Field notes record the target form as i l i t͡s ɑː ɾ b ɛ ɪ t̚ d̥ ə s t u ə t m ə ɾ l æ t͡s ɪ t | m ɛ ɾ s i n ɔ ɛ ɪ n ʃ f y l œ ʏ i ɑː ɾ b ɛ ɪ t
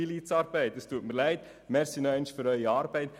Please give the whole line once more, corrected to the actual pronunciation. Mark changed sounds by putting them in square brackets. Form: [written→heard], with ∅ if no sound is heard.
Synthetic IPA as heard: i l i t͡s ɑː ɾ b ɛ ɪ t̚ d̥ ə s t u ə t m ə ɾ l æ [t͡s→∅] ɪ t | m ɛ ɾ s i n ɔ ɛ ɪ n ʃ f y [l→ɾ] œ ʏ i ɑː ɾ b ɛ ɪ t